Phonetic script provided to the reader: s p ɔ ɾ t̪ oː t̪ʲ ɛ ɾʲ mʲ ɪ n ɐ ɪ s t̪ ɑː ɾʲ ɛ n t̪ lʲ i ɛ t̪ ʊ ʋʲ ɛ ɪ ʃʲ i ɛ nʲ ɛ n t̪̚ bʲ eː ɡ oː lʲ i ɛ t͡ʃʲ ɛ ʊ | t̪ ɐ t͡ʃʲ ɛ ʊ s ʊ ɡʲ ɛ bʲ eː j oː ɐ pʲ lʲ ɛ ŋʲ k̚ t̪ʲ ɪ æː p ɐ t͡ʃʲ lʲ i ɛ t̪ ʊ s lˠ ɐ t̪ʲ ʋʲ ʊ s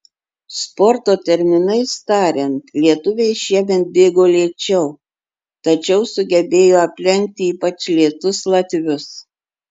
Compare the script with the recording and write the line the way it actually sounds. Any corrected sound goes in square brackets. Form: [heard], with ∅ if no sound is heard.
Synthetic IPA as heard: s p ɔ ɾ t̪ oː t̪ʲ ɛ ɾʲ mʲ ɪ n ɐ ɪ s t̪ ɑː ɾʲ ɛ n t̪ lʲ i ɛ t̪ ʊ ʋʲ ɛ ɪ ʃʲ i ɛ [mʲ] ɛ n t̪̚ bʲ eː ɡ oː lʲ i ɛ t͡ʃʲ ɛ ʊ | t̪ ɐ t͡ʃʲ ɛ ʊ s ʊ ɡʲ ɛ bʲ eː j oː ɐ pʲ lʲ ɛ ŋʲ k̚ t̪ʲ ɪ [iː] p ɐ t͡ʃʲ lʲ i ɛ t̪ ʊ s lˠ ɐ t̪ʲ ʋʲ ʊ s